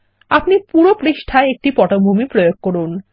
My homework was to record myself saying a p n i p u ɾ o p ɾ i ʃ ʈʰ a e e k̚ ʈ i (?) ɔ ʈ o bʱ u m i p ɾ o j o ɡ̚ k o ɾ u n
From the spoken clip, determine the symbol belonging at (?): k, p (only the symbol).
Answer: p